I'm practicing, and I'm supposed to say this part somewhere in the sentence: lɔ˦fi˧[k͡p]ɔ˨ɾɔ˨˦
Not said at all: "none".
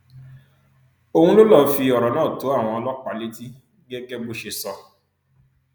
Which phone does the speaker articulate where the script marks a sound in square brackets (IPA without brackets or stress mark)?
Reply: none